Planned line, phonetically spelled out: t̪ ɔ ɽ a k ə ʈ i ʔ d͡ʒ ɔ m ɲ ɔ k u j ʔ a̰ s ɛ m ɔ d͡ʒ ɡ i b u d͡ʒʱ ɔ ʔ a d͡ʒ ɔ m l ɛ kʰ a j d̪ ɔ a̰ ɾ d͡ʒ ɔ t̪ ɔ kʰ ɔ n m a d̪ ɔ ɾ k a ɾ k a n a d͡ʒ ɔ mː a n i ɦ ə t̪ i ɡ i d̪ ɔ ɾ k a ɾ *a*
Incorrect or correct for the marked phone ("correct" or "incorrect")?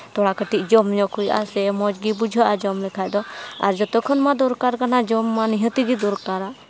correct